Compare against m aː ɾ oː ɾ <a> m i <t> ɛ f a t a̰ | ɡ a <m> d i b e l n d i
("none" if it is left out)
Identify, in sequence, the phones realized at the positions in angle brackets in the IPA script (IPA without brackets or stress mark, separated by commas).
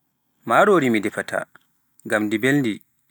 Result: i, d, m